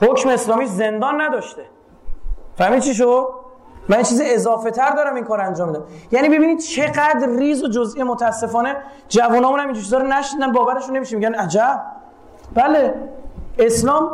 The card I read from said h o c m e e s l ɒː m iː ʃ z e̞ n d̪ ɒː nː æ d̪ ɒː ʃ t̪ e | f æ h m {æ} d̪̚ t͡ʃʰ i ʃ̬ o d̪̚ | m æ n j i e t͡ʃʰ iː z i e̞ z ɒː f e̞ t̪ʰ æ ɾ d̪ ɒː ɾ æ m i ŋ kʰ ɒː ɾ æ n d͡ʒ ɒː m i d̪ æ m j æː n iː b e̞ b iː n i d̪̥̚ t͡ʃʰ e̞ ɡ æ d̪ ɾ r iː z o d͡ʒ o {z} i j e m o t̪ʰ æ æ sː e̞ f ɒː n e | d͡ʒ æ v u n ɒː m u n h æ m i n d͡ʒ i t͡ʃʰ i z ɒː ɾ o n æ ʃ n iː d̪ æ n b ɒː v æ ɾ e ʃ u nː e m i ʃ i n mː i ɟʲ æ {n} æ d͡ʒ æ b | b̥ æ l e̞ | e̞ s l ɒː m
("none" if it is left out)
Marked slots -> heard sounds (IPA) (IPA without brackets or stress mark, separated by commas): i, z, n